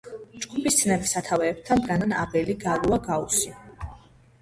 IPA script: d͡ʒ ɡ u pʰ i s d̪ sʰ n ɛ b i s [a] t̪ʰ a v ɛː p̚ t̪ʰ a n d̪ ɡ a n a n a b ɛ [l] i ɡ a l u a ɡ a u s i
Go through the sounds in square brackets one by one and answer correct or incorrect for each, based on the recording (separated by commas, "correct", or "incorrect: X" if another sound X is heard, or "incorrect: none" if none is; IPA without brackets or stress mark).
correct, correct